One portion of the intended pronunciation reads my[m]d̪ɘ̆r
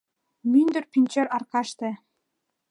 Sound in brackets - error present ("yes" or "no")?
yes